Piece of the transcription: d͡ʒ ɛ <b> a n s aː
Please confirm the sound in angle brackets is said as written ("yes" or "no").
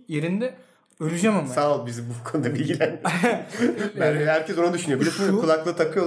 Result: no